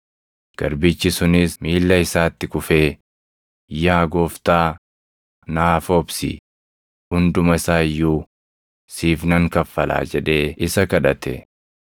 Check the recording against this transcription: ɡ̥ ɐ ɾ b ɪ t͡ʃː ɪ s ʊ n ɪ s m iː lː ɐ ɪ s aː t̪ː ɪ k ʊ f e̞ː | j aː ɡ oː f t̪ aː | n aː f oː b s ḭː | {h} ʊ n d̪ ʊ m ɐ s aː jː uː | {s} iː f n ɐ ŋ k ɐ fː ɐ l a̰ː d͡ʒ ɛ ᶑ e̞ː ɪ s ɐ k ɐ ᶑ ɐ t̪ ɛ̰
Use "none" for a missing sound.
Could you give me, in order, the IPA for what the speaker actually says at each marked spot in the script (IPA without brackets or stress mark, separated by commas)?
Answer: h, s